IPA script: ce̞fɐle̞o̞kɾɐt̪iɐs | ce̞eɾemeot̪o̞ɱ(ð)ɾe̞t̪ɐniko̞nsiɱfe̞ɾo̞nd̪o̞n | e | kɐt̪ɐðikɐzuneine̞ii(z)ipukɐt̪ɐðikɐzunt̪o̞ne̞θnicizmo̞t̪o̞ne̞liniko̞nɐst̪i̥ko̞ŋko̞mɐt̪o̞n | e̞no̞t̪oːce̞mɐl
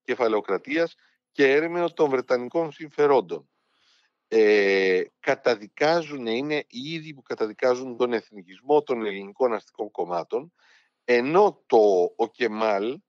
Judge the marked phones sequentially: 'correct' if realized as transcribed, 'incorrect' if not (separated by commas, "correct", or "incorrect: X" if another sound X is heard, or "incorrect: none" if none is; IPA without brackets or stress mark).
incorrect: v, incorrect: ð